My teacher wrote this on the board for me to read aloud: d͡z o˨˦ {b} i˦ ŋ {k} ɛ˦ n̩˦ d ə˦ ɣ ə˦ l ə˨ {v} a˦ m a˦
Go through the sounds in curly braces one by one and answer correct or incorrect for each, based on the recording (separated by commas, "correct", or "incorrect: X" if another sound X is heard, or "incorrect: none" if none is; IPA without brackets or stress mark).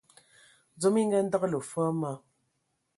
incorrect: m, incorrect: ɡ, incorrect: f